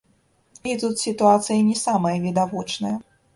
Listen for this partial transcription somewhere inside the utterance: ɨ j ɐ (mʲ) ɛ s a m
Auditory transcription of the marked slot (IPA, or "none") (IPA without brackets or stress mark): nʲ